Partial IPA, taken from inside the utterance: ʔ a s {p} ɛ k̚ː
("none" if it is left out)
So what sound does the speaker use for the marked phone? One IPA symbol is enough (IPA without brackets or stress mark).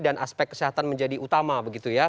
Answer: p